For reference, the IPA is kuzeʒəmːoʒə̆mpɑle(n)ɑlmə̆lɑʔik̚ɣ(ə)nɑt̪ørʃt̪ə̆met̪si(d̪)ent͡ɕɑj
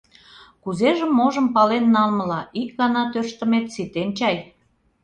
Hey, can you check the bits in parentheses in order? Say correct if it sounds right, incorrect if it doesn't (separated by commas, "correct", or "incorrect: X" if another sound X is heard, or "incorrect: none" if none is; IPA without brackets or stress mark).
incorrect: nː, incorrect: ɑ, incorrect: t̪